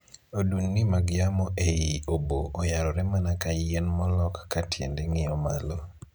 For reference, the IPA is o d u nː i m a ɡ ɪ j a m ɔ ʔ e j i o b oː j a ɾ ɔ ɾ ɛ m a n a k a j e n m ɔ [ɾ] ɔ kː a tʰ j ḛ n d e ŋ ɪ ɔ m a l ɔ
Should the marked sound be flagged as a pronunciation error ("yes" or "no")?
yes